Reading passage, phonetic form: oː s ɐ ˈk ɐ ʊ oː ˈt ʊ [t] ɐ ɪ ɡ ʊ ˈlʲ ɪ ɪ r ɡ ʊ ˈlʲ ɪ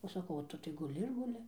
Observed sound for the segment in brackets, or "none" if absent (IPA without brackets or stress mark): t